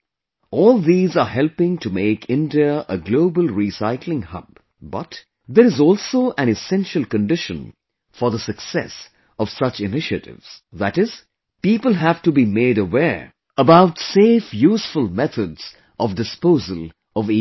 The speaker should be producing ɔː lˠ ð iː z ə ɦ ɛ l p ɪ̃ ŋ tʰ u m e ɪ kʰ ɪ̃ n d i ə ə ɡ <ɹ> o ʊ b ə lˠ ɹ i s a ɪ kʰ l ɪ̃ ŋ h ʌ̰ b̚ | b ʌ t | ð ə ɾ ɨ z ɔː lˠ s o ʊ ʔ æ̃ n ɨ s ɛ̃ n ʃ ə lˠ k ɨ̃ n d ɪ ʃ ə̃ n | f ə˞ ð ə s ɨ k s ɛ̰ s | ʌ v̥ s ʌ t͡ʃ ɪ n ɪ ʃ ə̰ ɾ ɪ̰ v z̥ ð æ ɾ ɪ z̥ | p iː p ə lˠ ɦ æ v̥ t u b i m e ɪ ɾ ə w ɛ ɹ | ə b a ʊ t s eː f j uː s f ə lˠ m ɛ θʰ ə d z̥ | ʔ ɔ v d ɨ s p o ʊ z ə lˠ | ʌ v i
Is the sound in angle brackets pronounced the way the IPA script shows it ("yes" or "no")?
no